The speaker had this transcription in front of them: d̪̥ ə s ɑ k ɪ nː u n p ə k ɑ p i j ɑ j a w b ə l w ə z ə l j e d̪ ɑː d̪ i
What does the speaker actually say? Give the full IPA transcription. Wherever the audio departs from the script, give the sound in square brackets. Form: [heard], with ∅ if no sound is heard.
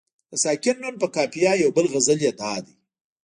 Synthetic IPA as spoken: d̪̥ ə s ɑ k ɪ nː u n p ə k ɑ p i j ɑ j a w b ə l [ɣ] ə z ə l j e d̪ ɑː d̪ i